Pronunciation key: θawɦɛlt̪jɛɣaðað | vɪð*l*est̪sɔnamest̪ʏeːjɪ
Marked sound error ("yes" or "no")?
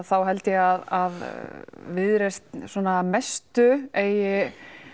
yes